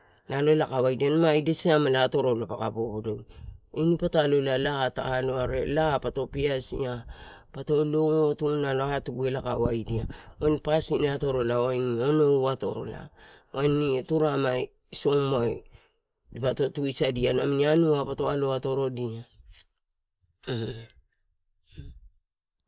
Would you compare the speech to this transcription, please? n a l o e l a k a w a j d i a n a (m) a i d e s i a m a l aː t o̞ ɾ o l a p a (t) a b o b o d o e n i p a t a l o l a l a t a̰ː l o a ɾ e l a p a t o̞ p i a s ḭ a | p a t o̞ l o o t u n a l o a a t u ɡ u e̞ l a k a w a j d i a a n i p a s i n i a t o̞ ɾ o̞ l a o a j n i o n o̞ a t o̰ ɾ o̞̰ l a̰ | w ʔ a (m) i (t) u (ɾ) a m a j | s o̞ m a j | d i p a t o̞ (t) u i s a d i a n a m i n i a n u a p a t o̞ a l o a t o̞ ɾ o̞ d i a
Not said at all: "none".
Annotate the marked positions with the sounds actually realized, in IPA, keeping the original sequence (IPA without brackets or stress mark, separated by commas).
m, k, n, t, ɾ, t